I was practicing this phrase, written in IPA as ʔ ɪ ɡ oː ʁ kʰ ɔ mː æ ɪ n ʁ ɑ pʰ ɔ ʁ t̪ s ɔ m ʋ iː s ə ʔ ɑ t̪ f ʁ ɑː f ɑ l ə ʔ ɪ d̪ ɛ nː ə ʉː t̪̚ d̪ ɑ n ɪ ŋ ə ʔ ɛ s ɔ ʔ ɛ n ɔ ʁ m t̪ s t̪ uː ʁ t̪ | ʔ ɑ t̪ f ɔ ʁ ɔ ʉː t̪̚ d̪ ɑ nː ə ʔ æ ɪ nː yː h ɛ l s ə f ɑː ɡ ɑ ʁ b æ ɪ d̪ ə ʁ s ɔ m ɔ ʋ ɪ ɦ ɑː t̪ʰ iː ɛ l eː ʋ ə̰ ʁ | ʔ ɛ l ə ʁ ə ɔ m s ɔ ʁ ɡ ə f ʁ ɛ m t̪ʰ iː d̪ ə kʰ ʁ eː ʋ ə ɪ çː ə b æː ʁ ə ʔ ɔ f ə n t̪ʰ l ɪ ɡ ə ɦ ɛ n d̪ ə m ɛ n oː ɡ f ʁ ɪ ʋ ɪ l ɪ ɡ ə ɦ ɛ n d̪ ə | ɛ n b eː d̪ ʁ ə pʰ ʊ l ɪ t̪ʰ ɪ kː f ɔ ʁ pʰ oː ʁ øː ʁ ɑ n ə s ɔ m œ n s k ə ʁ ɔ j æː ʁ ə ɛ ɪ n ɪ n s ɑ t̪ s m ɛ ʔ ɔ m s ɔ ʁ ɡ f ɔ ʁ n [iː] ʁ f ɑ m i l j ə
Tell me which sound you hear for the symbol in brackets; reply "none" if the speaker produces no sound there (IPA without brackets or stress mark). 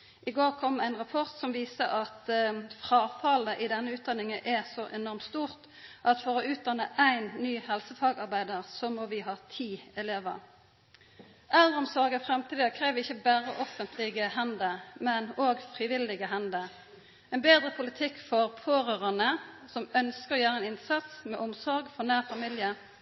æː